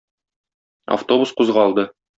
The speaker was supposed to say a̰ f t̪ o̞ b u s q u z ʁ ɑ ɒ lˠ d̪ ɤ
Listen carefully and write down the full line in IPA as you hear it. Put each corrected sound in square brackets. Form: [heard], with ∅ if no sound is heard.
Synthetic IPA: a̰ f t̪ o̞ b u s q u z ʁ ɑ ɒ lˠ d̪ ɤ